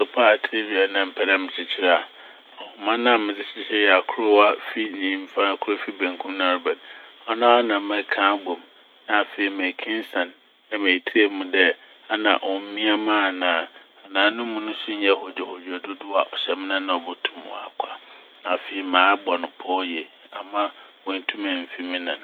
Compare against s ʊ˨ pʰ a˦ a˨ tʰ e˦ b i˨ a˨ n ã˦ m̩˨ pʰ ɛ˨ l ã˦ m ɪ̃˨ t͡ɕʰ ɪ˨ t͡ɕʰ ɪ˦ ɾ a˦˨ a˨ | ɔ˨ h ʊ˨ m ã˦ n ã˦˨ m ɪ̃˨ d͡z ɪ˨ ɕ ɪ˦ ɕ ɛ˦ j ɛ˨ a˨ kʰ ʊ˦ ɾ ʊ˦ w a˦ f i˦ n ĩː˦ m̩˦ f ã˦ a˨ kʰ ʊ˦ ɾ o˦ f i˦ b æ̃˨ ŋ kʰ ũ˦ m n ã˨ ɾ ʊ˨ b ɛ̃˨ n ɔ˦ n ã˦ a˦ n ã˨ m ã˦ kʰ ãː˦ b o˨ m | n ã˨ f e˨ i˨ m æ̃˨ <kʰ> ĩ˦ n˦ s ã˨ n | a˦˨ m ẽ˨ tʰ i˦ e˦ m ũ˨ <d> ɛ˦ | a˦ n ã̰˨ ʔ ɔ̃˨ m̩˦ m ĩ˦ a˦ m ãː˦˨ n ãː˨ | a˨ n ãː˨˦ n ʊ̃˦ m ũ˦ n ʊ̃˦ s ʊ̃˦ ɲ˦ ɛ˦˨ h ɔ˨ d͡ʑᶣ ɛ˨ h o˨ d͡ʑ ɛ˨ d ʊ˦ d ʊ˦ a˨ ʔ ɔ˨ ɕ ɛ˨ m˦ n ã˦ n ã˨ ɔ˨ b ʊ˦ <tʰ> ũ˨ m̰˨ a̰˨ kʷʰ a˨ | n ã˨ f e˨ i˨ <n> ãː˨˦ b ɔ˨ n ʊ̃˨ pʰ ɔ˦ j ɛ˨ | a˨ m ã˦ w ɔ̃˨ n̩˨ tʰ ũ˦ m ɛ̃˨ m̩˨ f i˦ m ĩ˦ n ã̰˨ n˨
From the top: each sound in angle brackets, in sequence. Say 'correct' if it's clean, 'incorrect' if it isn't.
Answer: correct, correct, correct, incorrect: m

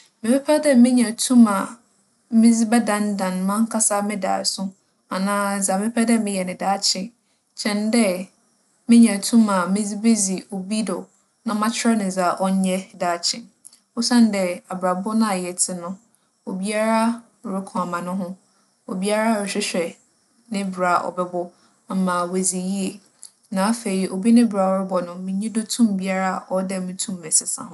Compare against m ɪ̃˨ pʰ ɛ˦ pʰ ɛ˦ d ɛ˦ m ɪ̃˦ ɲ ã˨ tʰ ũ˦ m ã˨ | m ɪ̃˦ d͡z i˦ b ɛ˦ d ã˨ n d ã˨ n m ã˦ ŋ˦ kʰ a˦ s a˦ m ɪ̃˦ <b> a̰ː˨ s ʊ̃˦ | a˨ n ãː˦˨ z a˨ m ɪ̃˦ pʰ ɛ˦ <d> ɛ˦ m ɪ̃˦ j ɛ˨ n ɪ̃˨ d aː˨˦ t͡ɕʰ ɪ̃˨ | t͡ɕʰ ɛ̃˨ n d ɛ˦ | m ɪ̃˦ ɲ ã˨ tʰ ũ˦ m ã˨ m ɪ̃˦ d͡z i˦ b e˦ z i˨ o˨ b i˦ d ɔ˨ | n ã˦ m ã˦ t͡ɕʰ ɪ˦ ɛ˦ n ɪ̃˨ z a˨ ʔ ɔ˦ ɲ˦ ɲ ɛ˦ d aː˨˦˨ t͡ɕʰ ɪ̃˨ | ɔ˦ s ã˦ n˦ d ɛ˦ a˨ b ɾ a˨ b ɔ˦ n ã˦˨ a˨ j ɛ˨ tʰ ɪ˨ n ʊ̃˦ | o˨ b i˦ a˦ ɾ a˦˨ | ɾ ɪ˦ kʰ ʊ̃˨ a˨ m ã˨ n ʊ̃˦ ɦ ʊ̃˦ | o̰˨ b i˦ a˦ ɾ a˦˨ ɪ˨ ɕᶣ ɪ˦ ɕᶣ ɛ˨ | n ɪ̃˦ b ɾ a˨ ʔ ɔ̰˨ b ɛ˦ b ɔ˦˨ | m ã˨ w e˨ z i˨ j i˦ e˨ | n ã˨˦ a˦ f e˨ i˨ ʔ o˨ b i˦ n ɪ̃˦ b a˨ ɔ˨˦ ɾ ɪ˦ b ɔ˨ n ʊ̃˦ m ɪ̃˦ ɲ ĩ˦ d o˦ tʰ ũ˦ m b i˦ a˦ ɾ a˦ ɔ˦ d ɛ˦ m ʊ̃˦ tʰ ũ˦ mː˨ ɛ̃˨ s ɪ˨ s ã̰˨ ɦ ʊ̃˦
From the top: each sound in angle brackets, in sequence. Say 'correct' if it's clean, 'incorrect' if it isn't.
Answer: incorrect: d, correct

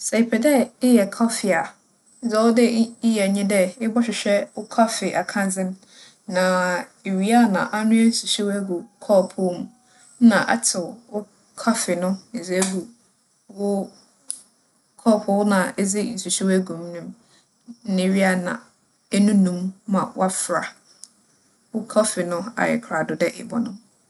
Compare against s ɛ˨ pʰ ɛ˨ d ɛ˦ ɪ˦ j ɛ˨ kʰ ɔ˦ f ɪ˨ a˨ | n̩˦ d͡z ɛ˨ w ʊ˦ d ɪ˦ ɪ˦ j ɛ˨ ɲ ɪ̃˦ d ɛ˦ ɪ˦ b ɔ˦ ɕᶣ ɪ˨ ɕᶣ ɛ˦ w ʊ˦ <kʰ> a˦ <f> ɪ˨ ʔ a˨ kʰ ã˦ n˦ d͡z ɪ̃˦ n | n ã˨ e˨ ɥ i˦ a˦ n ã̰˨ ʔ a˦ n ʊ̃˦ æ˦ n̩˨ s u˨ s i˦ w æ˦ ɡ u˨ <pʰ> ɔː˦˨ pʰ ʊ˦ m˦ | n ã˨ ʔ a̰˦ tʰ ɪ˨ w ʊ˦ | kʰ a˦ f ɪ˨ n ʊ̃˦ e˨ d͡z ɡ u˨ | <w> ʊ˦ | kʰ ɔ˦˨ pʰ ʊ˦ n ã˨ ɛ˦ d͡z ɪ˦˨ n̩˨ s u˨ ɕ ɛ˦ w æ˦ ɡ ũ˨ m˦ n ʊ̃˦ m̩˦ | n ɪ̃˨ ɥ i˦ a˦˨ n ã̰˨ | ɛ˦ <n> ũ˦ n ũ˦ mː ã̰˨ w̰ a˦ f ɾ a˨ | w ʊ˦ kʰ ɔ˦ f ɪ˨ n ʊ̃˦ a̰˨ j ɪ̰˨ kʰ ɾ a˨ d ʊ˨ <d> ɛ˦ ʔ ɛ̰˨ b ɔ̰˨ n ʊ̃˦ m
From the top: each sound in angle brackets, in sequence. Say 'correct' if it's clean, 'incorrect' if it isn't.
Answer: correct, correct, incorrect: kʰ, correct, correct, correct

